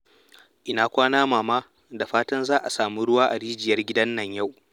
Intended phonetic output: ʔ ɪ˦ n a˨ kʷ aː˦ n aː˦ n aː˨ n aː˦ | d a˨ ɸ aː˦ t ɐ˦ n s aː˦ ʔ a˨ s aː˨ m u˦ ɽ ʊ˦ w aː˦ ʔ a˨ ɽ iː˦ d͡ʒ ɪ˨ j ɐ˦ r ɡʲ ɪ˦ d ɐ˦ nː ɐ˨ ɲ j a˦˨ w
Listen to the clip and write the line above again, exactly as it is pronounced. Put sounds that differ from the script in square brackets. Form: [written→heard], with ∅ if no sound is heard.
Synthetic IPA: ʔ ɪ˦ n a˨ kʷ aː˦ n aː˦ [n→m] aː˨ [n→m] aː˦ | d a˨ ɸ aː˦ t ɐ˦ n [s→z] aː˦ ʔ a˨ s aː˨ m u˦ ɽ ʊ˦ w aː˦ ʔ a˨ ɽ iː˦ d͡ʒ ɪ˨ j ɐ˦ r ɡʲ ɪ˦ d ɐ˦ nː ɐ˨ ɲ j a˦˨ w